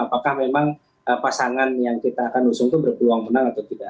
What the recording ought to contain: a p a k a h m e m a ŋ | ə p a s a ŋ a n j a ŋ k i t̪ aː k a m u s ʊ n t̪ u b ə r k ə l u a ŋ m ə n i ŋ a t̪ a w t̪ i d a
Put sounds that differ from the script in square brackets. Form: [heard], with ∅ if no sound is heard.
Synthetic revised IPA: a p a k a h m e m a ŋ | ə p a s a ŋ a n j a ŋ k i t̪ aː k a [n] u s ʊ [ŋ] t̪ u b ə r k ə l u a ŋ m ə n [a] ŋ a t̪ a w t̪ i d a